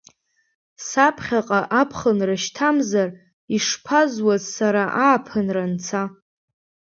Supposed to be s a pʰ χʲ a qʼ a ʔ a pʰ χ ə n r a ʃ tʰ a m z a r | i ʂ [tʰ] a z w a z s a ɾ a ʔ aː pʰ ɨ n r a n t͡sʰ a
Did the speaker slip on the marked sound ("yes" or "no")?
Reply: yes